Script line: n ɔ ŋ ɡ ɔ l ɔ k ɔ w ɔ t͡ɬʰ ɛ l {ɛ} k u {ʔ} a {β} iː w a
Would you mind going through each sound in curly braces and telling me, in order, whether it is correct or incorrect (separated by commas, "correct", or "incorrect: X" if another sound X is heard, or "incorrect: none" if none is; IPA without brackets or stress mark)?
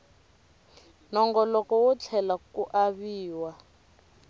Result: incorrect: a, correct, correct